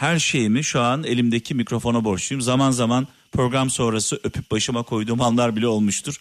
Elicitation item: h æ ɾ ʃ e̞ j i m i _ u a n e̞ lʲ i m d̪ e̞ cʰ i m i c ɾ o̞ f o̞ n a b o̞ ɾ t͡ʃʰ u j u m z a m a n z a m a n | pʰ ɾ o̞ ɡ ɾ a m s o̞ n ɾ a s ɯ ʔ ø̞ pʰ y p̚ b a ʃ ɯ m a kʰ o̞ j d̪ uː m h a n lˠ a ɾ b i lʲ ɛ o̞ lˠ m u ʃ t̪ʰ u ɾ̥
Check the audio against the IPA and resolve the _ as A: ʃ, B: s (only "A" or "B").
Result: A